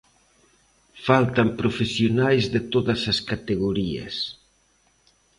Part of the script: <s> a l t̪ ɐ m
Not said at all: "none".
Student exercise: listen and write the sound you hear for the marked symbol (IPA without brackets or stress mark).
f